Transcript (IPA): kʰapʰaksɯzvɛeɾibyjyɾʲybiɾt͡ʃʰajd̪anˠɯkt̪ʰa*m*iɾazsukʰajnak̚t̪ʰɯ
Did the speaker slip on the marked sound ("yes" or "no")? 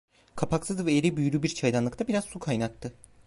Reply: yes